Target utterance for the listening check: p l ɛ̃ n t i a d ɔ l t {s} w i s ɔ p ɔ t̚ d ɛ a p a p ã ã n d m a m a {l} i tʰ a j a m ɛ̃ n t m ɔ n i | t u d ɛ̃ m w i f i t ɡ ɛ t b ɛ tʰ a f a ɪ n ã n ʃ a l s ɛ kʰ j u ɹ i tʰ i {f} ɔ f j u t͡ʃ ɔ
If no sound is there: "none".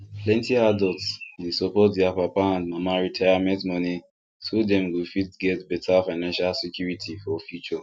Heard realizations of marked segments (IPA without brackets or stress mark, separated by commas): s, ɹ, f